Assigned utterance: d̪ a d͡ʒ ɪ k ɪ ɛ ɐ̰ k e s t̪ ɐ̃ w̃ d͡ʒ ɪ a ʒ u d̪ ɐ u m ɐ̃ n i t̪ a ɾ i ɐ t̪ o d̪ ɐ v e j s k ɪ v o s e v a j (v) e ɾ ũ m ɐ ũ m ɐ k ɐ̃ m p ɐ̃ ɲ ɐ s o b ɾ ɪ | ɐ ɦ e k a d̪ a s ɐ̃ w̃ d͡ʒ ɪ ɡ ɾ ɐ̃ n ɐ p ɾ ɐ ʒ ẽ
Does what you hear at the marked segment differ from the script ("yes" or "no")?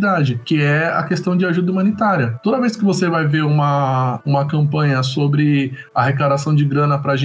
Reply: no